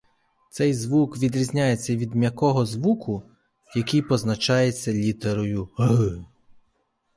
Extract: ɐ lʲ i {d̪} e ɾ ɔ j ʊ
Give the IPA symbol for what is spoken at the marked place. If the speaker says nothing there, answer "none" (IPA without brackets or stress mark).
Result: t̪